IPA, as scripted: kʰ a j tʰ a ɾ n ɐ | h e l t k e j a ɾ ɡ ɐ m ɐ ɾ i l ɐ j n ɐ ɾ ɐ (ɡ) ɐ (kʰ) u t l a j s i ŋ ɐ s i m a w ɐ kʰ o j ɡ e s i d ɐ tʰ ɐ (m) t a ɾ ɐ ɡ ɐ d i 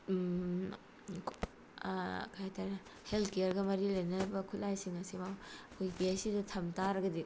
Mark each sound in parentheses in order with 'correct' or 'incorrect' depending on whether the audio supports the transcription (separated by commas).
incorrect, correct, correct